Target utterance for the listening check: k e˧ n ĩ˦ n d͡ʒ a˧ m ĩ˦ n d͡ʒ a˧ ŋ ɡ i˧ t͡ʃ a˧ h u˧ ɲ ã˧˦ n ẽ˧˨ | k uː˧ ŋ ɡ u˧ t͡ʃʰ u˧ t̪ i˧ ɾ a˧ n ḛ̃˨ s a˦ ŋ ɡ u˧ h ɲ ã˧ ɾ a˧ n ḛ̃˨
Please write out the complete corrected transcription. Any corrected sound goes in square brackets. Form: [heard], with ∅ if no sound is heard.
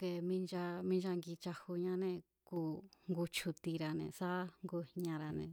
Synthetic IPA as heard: k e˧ [m] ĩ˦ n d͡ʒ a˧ m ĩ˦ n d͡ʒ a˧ ŋ ɡ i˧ t͡ʃ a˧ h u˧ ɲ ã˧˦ n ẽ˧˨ | k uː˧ ŋ ɡ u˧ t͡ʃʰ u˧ t̪ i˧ ɾ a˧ n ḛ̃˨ s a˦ ŋ ɡ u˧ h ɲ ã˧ ɾ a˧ n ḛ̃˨